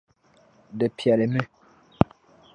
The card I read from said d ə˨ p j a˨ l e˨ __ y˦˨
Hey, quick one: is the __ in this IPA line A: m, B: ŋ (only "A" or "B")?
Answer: A